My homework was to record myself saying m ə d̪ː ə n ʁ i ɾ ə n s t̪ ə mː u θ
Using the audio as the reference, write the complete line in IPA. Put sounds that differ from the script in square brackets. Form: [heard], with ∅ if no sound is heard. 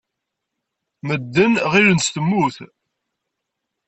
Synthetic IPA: m ə d̪ː ə n ʁ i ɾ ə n s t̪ ə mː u θ